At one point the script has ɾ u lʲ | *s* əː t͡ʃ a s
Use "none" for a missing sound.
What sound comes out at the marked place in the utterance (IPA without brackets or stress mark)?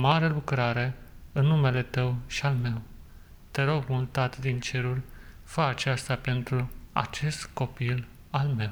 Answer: f